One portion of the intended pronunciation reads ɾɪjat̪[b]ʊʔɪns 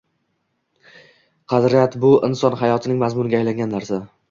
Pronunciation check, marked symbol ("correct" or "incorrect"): correct